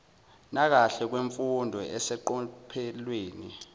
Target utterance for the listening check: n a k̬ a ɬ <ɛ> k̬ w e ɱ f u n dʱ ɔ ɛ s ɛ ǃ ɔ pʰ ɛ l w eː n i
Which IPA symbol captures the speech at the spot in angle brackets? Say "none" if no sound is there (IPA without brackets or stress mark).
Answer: ɛ